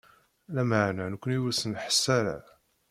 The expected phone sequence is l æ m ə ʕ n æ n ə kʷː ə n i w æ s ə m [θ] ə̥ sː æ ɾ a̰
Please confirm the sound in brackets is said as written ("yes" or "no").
no